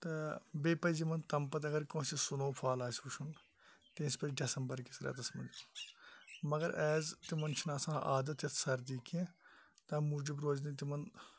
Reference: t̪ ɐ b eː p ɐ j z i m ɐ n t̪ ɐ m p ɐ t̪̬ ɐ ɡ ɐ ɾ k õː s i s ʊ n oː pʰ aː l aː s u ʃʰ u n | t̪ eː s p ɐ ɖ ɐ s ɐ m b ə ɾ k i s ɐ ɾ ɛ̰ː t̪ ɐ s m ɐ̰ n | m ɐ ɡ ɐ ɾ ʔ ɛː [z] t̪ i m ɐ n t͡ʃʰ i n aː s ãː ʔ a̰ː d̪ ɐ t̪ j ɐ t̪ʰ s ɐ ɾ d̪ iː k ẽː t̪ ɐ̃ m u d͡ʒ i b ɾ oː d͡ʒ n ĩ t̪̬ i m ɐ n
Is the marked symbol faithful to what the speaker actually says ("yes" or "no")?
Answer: yes